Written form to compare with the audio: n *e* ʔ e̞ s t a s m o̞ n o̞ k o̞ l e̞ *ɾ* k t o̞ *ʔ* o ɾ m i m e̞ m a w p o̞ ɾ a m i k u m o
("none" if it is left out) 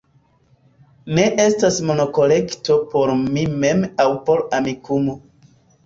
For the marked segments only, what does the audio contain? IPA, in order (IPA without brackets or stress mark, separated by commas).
e, none, p